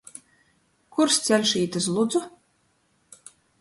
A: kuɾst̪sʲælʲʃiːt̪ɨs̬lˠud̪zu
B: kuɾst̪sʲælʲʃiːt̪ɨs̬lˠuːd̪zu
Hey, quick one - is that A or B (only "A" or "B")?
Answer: A